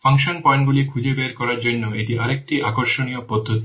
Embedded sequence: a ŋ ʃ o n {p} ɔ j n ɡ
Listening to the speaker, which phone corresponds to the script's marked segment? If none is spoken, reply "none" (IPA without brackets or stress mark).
p